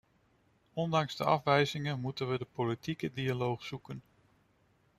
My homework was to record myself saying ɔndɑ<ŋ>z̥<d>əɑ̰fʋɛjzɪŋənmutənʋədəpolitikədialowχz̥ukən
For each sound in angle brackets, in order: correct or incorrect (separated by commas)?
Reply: correct, correct